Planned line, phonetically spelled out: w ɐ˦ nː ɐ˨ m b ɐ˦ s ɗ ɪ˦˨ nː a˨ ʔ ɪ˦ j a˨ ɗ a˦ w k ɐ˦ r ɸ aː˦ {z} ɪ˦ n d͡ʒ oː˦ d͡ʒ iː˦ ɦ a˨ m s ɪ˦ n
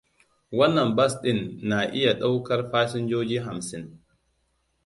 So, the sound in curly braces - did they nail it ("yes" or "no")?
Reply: no